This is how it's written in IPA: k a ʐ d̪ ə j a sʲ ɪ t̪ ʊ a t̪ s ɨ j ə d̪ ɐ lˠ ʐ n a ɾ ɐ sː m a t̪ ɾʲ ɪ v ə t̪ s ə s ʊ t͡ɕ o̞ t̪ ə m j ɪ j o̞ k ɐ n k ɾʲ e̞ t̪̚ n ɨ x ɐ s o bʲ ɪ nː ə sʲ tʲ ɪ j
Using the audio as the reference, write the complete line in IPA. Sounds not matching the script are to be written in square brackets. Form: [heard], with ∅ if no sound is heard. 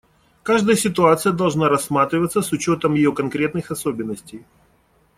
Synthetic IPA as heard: k a ʐ d̪ ə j [ə] sʲ ɪ t̪ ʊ a t̪ s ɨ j ə d̪ ɐ lˠ ʐ n a ɾ ɐ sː m a t̪ ɾʲ ɪ v ə t̪ s ə s ʊ t͡ɕ o̞ t̪ ə m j ɪ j o̞ k ɐ n k ɾʲ e̞ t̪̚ n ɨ x ɐ s o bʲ ɪ nː ə sʲ tʲ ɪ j